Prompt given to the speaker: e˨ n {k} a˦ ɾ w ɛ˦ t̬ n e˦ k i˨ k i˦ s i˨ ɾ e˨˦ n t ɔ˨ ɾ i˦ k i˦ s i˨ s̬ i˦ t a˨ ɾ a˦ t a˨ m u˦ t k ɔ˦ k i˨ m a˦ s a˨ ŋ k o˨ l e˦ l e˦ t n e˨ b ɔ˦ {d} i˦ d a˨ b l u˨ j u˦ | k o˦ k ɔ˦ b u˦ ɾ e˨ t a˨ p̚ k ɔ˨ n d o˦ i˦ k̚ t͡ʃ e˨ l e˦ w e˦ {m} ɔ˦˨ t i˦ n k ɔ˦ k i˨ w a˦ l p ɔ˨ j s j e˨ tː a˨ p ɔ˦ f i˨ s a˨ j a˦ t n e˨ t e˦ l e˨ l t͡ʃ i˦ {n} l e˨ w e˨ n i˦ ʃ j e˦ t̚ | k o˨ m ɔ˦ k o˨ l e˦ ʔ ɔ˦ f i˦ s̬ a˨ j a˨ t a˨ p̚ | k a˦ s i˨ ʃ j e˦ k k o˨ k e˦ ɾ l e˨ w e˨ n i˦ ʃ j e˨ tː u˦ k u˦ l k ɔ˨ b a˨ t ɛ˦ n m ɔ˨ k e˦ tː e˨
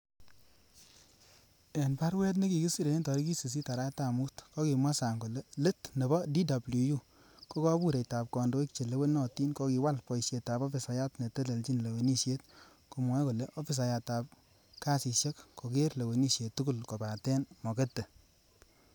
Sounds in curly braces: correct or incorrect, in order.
incorrect: p, correct, incorrect: n, correct

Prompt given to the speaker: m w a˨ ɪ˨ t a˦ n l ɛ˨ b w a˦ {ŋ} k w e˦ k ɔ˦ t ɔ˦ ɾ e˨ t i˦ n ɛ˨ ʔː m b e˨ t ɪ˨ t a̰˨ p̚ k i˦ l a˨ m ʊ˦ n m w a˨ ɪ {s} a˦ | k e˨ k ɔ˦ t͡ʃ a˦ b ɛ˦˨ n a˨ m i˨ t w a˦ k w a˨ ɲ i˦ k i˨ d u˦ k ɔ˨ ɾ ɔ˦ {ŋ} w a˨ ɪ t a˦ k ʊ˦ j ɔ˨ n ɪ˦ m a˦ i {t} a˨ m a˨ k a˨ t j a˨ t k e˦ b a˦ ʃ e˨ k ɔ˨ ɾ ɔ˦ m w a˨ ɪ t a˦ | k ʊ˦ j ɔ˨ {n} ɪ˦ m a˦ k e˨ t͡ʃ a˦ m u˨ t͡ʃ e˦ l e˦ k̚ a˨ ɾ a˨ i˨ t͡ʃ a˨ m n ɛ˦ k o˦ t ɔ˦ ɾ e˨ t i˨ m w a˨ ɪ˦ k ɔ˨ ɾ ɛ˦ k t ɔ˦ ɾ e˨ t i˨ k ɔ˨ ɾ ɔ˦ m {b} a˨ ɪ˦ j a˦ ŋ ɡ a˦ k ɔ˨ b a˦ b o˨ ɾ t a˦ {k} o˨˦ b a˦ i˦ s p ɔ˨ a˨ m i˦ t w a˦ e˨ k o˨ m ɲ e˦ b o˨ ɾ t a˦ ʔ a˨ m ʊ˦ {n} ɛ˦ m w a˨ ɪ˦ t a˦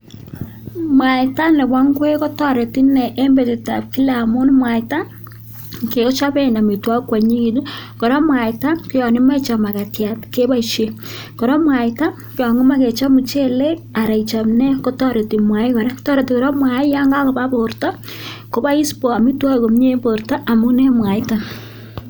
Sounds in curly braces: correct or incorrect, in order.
correct, incorrect: t, incorrect: m, incorrect: t͡ʃ, incorrect: ŋ, incorrect: w, correct, correct

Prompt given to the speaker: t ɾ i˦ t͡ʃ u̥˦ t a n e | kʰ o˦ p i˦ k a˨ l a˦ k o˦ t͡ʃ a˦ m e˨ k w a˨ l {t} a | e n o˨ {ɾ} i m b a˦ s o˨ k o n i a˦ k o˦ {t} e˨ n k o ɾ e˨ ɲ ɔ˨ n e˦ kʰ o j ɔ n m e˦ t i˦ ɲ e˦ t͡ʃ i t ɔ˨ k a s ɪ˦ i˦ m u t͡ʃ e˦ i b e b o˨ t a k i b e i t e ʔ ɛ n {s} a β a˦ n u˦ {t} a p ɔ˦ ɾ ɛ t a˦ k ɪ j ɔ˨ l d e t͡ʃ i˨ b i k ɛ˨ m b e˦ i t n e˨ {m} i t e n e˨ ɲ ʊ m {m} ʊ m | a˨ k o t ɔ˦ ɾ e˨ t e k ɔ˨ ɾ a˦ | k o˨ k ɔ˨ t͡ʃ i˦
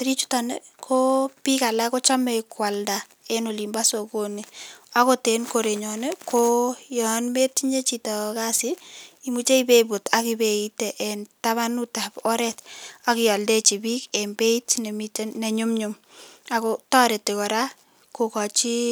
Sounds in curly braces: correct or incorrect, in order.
incorrect: d, incorrect: l, correct, incorrect: t, correct, correct, incorrect: ɲ

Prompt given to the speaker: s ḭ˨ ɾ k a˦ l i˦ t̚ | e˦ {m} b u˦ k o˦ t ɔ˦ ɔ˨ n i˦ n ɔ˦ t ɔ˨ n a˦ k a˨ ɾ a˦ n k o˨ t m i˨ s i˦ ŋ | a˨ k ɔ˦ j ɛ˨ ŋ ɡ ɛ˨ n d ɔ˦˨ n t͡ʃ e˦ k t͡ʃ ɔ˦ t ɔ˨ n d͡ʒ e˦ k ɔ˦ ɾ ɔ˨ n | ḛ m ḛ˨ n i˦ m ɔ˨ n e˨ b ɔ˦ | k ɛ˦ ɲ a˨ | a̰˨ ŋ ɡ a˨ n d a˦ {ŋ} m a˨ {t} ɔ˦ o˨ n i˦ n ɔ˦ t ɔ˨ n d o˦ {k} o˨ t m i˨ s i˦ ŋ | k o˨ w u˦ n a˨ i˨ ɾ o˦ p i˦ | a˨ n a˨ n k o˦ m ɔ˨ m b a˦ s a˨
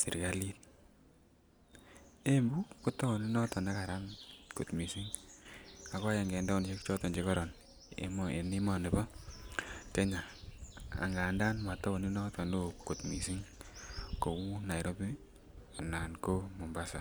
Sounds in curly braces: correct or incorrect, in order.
correct, incorrect: n, correct, correct

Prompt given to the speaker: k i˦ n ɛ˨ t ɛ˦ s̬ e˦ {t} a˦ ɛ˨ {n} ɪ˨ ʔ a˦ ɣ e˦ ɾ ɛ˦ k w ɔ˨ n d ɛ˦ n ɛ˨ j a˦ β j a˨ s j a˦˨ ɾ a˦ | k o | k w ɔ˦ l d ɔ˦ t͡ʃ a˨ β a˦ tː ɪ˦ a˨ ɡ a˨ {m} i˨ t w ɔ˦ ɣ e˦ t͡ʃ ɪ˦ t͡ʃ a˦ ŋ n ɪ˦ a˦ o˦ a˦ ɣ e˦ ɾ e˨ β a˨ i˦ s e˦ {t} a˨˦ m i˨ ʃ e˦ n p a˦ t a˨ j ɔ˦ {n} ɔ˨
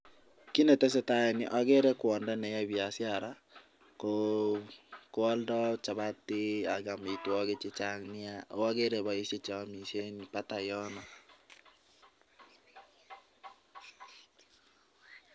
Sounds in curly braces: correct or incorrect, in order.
correct, correct, correct, incorrect: t͡ʃ, correct

